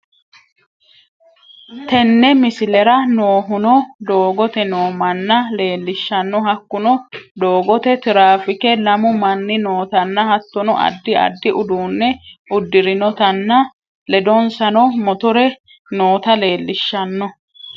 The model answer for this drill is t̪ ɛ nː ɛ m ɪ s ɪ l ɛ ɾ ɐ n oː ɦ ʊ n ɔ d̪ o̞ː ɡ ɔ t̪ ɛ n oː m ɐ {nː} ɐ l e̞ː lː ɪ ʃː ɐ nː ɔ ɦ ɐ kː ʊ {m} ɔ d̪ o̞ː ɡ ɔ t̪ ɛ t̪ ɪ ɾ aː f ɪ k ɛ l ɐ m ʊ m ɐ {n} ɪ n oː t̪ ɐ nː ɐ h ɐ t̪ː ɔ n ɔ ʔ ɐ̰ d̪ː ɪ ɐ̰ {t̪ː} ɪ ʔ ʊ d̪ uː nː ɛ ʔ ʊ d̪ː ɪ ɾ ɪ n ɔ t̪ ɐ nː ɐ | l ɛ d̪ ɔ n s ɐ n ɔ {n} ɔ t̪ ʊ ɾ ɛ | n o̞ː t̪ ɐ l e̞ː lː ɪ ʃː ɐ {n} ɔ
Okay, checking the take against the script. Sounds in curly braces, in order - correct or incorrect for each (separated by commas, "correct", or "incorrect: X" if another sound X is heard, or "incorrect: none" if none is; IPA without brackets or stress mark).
correct, incorrect: n, incorrect: nː, incorrect: d̪ː, incorrect: m, incorrect: nː